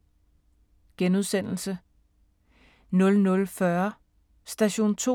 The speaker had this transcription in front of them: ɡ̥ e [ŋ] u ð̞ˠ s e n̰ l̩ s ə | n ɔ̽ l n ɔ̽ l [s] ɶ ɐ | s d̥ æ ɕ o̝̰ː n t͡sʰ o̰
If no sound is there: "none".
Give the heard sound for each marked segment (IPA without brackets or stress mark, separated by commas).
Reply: n, f